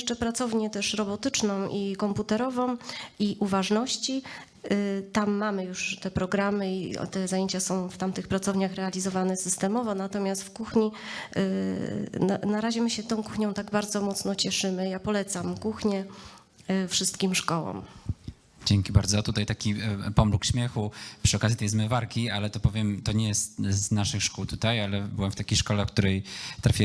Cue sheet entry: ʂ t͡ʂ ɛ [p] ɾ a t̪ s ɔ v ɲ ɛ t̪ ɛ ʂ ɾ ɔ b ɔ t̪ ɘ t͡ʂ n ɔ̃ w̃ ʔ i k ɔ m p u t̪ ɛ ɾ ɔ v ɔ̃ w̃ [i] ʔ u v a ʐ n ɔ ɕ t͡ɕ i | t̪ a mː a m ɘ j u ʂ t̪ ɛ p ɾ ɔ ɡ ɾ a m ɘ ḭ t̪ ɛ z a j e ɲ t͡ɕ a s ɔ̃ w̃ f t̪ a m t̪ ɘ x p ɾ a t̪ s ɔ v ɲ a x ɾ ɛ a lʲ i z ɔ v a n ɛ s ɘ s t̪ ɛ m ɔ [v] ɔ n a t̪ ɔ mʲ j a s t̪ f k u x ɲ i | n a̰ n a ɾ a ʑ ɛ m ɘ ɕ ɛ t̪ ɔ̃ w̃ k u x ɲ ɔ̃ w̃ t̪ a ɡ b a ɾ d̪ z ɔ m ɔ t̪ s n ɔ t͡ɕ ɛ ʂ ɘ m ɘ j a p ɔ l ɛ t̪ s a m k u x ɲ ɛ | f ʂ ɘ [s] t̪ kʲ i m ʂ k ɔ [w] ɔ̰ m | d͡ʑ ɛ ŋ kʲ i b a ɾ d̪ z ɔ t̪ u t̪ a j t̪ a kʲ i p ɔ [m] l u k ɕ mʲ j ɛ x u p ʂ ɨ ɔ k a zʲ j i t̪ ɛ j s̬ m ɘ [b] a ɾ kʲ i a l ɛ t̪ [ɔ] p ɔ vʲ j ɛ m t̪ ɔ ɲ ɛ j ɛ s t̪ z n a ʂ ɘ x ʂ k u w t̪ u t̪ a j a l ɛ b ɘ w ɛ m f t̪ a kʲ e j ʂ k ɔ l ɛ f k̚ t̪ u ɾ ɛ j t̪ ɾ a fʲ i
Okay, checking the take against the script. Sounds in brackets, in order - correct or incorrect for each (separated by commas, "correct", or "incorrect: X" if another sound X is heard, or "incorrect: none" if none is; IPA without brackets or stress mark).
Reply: correct, correct, correct, correct, correct, correct, incorrect: v, correct